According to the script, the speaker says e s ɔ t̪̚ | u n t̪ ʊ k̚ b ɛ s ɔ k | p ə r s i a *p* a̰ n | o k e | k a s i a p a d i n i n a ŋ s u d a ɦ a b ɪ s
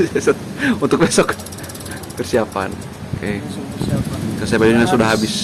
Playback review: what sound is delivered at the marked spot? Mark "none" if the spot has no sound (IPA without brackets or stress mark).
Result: p